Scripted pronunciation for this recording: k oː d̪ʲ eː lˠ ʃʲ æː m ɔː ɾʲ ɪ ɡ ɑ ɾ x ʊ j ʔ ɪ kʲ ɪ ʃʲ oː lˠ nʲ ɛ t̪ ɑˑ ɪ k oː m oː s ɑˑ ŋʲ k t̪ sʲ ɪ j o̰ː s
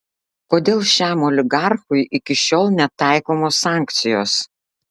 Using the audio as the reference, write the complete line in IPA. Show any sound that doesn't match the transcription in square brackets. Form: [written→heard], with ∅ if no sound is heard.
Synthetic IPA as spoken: k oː d̪ʲ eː lˠ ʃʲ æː m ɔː [ɾʲ→lʲ] ɪ ɡ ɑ ɾ x ʊ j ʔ ɪ kʲ ɪ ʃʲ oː lˠ nʲ ɛ t̪ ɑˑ ɪ k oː m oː s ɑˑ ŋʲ k t̪ sʲ ɪ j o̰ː s